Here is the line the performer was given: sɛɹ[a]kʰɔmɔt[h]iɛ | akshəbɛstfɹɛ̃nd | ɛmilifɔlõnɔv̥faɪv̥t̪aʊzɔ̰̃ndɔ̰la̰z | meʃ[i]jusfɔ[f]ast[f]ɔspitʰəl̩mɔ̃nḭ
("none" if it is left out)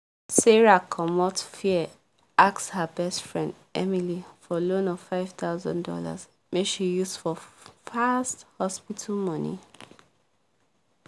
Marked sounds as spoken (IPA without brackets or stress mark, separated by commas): a, f, i, f, h